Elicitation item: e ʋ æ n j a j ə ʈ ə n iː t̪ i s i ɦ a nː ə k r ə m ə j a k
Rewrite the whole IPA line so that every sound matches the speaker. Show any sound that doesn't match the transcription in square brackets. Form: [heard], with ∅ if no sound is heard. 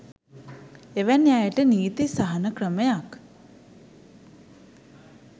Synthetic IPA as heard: e ʋ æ n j a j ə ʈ ə n iː t̪ i s [a] ɦ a [n] ə k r ə m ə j a k